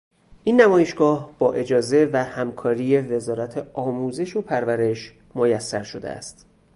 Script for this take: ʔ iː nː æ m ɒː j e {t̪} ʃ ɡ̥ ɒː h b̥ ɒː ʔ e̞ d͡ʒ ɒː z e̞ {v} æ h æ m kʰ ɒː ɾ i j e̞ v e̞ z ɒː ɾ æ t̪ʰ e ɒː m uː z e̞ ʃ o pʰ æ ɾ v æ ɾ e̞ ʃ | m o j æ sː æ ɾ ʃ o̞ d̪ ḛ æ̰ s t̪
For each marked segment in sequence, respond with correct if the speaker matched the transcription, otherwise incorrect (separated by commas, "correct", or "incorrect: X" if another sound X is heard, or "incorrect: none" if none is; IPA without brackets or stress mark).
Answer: incorrect: none, correct